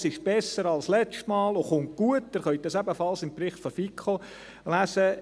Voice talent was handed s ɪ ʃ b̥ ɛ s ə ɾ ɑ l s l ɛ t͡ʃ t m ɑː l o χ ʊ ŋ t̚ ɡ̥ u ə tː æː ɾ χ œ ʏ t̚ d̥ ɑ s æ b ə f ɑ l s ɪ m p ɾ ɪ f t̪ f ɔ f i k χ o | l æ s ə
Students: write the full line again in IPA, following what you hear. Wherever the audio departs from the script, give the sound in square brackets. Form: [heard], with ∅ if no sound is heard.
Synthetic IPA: s ɪ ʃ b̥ ɛ s ə ɾ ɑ l s l ɛ t͡ʃ t m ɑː l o χ ʊ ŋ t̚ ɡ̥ u ə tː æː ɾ χ œ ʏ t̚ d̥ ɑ s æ b ə f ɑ l s ɪ m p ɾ ɪ [χ] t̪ f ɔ f i k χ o | l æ s ə